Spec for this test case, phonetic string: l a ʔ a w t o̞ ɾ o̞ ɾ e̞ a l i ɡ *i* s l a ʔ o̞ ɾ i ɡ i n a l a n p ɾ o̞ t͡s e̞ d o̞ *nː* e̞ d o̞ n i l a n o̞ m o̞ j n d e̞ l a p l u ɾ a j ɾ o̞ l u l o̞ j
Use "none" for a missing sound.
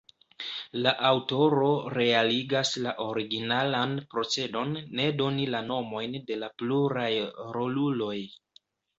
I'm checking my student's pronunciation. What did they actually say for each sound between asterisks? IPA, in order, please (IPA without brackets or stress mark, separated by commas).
a, nː